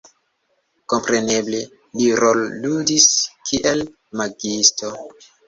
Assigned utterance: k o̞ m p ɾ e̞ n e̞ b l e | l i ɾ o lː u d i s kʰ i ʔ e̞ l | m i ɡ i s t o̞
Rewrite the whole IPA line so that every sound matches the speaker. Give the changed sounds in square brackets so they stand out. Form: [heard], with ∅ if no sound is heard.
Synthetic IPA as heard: k o̞ m p ɾ e̞ n e̞ b l e | l i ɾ o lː u d i s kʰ i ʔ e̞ l | m [a] ɡ i s t o̞